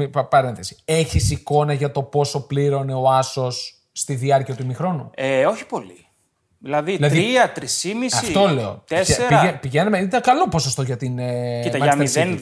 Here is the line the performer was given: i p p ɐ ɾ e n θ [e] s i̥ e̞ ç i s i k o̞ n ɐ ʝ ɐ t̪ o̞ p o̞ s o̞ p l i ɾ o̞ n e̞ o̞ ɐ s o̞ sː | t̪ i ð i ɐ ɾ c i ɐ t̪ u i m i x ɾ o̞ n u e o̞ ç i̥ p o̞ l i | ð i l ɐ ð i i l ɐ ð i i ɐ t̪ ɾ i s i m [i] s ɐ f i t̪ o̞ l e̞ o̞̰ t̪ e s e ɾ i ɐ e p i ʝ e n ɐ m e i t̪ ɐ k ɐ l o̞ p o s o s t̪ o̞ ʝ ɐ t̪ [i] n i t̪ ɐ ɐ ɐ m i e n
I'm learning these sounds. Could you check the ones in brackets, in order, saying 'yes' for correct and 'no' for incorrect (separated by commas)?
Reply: yes, yes, yes